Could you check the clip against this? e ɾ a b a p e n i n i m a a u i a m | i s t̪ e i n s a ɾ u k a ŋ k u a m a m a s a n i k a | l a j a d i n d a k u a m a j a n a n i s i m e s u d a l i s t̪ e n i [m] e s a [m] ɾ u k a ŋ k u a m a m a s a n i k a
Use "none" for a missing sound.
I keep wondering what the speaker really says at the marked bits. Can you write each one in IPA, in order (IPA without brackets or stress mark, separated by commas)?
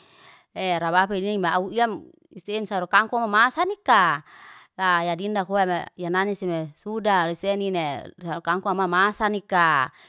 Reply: n, none